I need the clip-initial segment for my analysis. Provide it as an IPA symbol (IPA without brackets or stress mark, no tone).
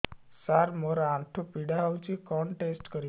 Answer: s